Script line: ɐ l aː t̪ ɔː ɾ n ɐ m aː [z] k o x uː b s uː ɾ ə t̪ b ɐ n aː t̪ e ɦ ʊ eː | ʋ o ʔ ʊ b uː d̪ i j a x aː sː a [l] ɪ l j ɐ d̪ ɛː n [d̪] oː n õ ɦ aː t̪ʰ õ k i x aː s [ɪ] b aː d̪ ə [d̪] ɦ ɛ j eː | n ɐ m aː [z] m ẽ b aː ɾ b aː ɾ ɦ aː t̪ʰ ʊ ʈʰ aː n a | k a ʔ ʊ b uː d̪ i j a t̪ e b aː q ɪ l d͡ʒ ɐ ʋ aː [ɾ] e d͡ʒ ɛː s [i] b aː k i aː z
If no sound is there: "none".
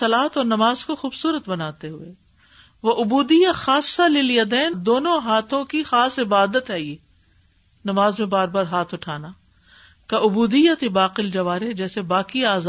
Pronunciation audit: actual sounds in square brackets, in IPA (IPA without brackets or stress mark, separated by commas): z, l, d̪, ɪ, t̪, z, ɾ, e